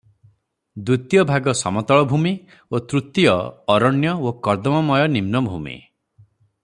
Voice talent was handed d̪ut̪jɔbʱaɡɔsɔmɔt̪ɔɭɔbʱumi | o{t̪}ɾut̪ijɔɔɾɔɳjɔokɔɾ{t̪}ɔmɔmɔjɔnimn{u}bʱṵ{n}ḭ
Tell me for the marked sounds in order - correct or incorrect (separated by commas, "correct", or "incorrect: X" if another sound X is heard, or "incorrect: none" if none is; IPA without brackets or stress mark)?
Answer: correct, incorrect: d̪, incorrect: ɔ, incorrect: m